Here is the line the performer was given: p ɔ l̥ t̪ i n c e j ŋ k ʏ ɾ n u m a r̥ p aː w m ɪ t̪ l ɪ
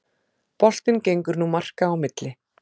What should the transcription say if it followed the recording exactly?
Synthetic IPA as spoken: p ɔ l̥ t̪ ɪ n c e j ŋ k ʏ ɾ n u m a r̥ k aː w m ɪ t̪ l ɪ